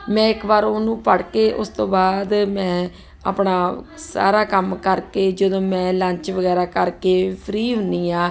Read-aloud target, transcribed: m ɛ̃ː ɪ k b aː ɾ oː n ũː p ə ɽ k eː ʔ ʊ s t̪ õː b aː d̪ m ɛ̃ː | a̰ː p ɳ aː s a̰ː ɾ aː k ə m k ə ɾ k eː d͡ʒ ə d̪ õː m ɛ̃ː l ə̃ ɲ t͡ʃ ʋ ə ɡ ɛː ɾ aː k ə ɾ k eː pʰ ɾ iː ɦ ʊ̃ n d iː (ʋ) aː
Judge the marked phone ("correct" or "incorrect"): incorrect